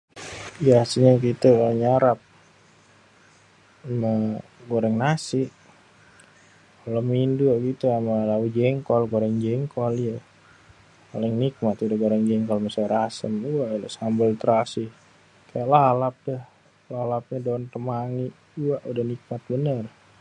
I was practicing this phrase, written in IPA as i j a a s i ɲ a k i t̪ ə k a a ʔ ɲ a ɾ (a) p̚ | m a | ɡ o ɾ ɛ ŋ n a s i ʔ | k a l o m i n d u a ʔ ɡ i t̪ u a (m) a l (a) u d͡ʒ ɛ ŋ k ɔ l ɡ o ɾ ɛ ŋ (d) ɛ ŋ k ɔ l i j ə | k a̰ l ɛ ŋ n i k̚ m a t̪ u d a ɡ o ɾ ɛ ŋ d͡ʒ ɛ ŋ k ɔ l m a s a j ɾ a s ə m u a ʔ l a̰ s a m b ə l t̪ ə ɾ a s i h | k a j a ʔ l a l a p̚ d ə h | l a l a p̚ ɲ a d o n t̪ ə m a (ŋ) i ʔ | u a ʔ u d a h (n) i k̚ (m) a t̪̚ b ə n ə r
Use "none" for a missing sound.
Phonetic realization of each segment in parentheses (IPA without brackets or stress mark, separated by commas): a, m, a, d͡ʒ, ŋ, n, m